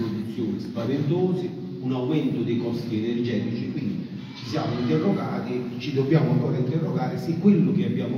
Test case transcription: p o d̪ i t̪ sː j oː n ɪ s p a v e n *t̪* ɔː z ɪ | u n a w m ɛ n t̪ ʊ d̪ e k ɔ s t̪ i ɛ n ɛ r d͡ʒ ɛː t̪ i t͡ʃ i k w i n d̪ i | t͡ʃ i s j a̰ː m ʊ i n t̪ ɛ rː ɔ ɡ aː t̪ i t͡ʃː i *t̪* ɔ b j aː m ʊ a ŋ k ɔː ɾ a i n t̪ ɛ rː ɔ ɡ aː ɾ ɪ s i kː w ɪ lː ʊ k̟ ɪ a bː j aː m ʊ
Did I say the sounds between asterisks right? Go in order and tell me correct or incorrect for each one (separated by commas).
correct, incorrect